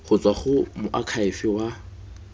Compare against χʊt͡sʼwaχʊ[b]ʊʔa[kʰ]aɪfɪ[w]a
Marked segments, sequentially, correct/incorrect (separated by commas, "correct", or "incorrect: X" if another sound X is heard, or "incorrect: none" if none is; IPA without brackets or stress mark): incorrect: m, correct, correct